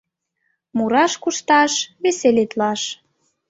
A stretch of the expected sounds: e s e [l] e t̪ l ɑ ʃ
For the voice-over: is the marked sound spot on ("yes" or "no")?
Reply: yes